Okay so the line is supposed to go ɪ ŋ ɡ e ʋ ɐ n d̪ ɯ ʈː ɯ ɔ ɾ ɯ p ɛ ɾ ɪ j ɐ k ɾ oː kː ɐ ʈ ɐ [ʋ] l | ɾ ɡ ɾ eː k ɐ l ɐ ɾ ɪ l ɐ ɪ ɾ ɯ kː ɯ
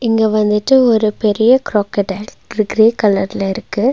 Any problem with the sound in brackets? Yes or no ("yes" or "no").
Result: yes